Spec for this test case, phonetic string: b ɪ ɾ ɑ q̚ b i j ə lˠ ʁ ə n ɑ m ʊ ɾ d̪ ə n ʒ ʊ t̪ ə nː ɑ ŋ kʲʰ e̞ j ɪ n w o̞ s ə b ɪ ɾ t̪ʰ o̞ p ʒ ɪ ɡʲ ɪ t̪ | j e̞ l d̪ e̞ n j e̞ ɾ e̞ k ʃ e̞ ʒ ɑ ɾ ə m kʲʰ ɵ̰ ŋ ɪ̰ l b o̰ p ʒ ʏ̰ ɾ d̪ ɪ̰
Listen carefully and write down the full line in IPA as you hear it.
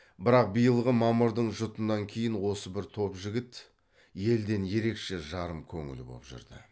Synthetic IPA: b ɪ ɾ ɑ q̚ b i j ə lˠ ʁ ə m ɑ m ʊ ɾ d̪ ə ɴ ʒ ʊ t̪ ə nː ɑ ŋ kʲʰ e̞ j ɪ n w o̞ s ə b ɪ ɾ t̪ʰ o̞ p ʒ ɪ ɡʲ ɪ t̪ | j e̞ l d̪ e̞ n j e̞ ɾ e̞ k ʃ e̞ ʒ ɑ ɾ ə m kʲʰ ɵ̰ ŋ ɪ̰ l b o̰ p ʒ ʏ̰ ɾ d̪ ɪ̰